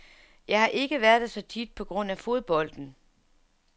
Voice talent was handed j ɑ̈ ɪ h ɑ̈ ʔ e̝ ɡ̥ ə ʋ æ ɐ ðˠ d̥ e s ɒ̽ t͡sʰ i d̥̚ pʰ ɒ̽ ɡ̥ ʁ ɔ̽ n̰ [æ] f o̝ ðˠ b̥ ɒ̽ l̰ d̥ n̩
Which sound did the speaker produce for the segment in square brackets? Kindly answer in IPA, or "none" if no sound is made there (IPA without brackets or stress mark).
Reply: æ